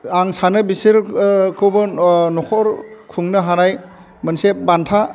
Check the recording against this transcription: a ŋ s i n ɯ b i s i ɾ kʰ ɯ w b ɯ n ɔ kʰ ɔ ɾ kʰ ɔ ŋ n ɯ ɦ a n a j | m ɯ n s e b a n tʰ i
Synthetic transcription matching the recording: a ŋ s a n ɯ b i s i ɾ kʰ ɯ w b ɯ n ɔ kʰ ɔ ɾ kʰ u ŋ n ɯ ɦ a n a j | m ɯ n s e b a n tʰ a